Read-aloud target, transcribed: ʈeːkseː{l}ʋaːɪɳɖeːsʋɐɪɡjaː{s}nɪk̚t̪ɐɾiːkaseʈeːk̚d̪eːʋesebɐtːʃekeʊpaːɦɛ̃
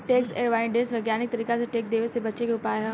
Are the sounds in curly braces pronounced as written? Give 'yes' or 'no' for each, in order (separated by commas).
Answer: no, no